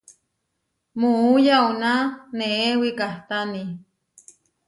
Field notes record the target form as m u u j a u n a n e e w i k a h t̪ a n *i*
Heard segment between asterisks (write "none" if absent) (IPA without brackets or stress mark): i